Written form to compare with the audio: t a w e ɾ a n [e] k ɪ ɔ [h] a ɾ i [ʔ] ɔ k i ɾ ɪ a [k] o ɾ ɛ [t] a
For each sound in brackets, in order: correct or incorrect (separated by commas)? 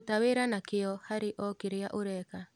incorrect, correct, correct, incorrect, incorrect